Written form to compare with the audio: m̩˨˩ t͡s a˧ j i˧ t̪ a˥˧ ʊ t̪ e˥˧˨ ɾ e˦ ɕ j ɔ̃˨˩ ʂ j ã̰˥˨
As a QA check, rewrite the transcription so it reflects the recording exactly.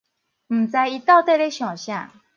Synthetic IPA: m̩˨˩ t͡s a˧ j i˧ t̪ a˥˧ ʊ t̪ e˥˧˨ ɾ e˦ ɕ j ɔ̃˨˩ ɕ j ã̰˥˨